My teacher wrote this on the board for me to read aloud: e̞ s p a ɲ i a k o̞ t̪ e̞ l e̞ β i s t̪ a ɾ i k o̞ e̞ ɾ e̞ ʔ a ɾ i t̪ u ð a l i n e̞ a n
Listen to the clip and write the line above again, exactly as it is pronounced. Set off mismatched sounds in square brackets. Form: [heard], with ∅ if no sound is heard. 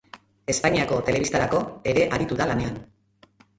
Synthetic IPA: e̞ s p a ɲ i a k o̞ t̪ e̞ l e̞ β i s t̪ a ɾ [a] k o̞ e̞ ɾ e̞ ʔ a ɾ i t̪ u ð a l [a] n e̞ a n